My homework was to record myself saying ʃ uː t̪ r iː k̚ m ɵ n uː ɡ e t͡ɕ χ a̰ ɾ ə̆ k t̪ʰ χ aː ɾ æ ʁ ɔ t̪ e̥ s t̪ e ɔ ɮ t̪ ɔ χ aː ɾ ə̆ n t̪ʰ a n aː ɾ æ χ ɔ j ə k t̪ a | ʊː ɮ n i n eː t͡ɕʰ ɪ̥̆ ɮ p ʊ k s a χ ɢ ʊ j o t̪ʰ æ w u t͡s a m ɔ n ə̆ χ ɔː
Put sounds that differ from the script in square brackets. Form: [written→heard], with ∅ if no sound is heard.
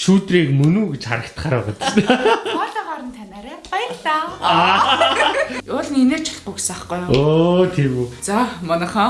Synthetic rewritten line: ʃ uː t̪ r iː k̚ m ɵ n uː ɡ e t͡ɕ χ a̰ ɾ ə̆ k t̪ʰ χ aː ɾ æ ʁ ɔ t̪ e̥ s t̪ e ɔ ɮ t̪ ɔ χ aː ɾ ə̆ n t̪ʰ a n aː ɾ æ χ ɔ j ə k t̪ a | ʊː ɮ n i n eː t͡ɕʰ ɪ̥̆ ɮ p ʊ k s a χ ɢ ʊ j o t̪ʰ [æ→e] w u t͡s a m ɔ n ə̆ χ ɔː